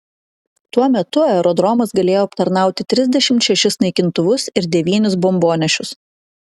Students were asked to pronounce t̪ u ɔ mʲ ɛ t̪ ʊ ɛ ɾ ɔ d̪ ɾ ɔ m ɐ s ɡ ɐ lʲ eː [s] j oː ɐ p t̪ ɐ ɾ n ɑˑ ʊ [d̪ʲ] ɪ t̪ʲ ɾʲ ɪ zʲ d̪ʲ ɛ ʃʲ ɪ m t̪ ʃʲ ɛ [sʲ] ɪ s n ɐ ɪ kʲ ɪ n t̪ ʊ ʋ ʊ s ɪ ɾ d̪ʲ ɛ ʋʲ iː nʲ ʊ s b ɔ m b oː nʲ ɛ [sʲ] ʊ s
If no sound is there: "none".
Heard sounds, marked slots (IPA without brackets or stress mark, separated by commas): none, t̪ʲ, ʃʲ, ʃʲ